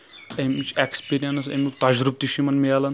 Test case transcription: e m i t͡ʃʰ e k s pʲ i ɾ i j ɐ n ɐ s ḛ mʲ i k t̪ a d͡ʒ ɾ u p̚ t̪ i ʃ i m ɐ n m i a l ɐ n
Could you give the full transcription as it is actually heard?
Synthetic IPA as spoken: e m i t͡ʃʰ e k s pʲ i ɾ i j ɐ n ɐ s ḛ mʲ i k t̪ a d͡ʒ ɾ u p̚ t̪ i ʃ i m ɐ n m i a l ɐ n